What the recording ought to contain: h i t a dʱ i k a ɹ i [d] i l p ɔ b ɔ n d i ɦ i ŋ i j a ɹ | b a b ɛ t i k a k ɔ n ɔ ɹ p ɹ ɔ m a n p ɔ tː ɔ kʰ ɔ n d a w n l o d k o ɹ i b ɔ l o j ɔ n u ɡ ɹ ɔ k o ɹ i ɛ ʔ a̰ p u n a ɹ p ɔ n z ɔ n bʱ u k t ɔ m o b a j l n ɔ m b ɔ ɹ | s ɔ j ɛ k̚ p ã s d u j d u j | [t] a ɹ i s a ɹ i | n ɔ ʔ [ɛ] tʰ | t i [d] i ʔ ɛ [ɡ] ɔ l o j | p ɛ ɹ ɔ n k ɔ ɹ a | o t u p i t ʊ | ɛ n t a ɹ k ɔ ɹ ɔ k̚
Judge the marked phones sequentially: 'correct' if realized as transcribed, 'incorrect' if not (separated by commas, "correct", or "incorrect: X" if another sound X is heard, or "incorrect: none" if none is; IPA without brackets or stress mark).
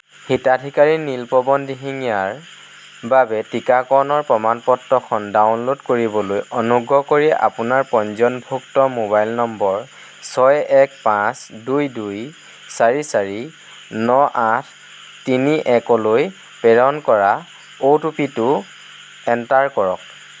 incorrect: n, incorrect: s, incorrect: a, incorrect: n, incorrect: k